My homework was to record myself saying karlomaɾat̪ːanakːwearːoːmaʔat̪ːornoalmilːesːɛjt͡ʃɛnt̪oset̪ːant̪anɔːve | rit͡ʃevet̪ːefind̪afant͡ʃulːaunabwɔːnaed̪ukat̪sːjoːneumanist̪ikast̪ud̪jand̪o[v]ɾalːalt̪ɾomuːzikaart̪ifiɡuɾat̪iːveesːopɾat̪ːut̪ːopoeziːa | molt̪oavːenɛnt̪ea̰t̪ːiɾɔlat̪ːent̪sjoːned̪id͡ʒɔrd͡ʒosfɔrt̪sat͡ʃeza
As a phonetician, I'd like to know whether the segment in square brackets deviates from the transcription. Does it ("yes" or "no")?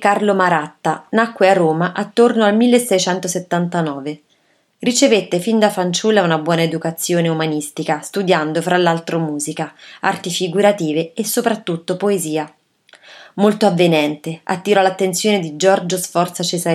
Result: yes